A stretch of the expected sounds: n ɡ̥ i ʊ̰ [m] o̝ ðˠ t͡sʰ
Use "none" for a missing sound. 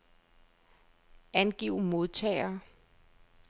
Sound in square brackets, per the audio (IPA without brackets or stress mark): m